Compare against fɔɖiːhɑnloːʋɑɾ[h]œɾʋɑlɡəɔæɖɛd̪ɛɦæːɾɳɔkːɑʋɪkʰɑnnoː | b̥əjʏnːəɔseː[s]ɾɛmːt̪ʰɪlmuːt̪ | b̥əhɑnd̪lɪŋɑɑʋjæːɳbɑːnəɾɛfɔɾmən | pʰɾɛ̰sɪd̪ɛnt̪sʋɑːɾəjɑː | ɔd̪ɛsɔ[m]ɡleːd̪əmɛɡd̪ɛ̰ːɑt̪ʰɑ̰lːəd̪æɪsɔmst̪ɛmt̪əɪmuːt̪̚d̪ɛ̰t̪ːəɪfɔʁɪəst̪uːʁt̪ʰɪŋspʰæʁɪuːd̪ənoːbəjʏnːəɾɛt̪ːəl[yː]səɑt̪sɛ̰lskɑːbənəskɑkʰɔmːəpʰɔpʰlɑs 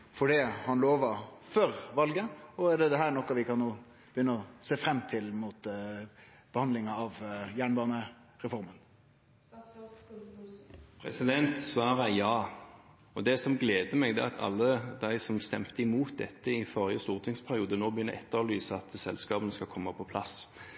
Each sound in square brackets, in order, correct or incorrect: incorrect: f, incorrect: f, correct, correct

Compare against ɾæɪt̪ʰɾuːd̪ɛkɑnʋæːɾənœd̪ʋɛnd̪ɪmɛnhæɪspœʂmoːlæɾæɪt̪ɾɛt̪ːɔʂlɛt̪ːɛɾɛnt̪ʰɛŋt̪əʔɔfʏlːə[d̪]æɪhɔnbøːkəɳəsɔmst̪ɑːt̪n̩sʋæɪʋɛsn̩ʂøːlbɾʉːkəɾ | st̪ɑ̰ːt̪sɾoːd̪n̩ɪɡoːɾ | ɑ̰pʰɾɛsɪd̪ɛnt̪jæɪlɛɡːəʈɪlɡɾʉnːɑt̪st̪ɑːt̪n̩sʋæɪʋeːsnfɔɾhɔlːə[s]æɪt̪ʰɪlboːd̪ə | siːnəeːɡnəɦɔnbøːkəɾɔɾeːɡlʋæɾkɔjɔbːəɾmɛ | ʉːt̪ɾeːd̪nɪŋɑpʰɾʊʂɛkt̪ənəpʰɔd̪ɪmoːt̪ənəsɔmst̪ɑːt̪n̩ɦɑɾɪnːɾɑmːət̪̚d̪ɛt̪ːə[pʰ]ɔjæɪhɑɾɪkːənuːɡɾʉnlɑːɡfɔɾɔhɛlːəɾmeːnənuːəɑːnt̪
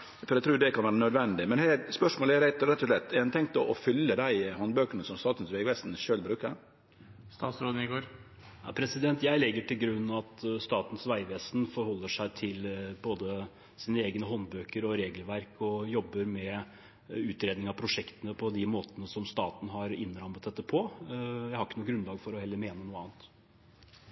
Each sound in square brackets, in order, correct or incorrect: correct, incorrect: ʂ, correct

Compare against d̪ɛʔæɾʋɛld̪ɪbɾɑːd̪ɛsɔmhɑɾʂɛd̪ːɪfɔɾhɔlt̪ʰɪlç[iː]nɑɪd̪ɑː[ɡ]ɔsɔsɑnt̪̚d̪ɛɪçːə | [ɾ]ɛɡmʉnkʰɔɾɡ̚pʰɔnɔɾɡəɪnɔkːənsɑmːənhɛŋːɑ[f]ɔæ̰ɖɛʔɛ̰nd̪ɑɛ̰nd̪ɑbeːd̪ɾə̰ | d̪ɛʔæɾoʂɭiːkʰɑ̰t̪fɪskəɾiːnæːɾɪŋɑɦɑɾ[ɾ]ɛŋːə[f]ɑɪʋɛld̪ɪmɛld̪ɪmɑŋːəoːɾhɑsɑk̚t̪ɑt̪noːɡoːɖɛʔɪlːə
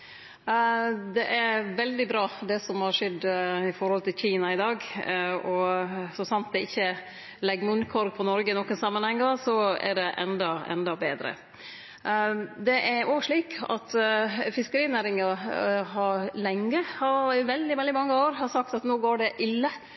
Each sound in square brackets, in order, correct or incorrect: correct, correct, incorrect: l, incorrect: s, incorrect: l, incorrect: h

